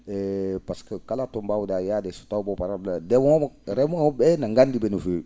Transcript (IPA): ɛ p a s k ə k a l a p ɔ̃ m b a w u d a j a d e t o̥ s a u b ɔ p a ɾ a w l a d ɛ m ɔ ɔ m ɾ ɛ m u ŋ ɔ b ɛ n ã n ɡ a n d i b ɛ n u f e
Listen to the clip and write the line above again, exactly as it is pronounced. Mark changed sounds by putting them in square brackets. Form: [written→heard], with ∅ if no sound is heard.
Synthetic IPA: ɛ p a s k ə k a l a [p→t] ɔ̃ m b a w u d a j a d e [t→s] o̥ [s→t] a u b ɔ p a ɾ a [w→b] l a d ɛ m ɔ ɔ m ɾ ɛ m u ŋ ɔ b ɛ n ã [n→ŋ] ɡ a n d i b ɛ n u f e